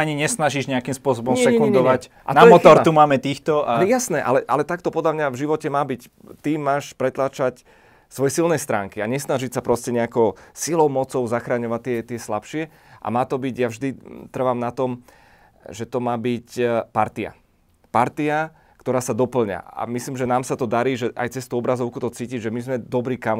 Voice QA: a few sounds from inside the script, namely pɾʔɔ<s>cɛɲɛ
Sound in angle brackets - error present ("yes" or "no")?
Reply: no